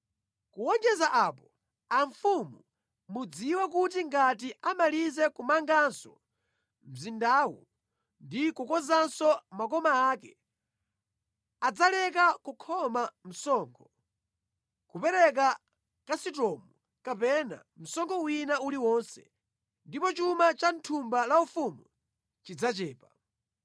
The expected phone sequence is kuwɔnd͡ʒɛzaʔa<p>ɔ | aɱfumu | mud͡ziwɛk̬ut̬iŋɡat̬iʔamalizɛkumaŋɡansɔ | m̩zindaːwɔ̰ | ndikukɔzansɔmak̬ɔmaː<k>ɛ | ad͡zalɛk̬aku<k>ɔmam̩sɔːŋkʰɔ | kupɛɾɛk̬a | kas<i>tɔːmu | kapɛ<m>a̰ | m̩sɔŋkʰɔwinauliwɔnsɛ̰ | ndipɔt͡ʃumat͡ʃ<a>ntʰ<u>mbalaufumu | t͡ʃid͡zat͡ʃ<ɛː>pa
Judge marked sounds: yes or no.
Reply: yes, yes, no, yes, no, yes, yes, yes

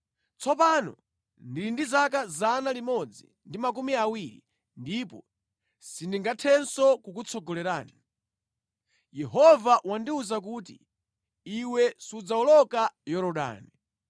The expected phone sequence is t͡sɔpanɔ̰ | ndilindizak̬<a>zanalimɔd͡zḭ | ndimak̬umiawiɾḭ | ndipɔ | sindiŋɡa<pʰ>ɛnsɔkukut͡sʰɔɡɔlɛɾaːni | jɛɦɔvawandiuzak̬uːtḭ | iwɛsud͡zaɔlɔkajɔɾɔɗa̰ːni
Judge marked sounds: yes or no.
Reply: yes, no

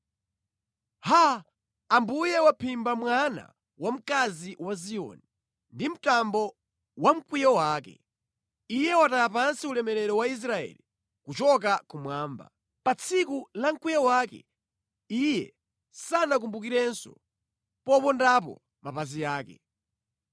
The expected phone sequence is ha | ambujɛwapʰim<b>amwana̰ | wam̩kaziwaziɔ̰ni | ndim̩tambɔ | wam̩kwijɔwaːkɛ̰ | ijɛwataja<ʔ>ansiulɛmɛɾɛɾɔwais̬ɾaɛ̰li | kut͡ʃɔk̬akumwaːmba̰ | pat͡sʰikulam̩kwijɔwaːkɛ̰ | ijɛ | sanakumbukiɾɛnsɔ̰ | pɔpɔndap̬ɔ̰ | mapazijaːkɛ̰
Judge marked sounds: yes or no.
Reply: yes, no

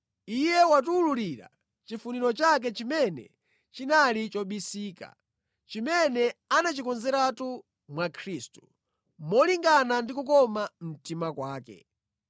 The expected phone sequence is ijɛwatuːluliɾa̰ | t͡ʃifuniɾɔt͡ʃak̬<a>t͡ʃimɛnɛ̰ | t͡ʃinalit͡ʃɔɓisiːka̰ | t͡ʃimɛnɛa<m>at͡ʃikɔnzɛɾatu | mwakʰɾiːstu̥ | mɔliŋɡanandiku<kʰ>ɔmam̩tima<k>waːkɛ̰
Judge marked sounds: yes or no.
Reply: no, no, no, yes

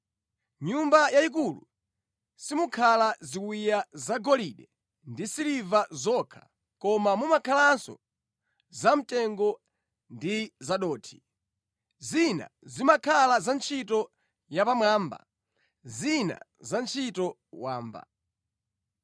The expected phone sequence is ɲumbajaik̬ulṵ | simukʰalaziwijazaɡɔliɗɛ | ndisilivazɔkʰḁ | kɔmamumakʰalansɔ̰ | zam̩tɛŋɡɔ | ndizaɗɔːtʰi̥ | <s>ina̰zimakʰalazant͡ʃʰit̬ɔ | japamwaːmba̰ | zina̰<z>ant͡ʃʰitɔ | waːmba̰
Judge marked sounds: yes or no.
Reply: no, yes

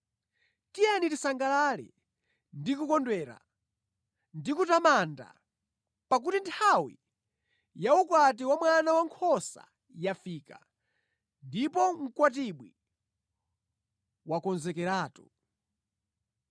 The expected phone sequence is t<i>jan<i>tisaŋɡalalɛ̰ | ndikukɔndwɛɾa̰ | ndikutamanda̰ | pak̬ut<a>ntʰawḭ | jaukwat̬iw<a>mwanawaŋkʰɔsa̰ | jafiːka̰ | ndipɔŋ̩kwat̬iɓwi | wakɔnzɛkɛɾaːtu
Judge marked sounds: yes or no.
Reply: yes, yes, no, yes

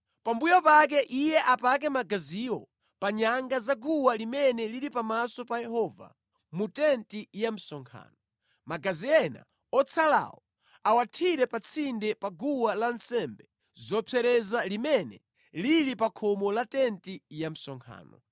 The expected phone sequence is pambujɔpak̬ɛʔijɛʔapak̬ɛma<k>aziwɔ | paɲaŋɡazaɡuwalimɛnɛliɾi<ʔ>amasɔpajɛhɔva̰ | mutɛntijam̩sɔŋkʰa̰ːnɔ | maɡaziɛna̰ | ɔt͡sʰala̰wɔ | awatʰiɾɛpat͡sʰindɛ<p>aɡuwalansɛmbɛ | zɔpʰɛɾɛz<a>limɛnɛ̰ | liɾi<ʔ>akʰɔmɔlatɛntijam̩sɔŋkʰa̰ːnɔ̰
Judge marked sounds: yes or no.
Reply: no, no, yes, yes, no

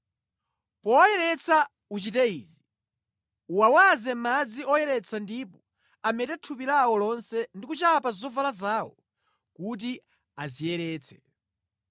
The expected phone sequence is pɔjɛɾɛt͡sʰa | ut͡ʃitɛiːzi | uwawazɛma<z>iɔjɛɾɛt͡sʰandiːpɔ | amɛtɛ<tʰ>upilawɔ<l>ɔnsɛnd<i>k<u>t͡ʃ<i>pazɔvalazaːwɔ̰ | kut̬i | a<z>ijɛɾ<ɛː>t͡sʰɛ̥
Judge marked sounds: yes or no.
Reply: no, yes, yes, yes, yes, no, yes, yes

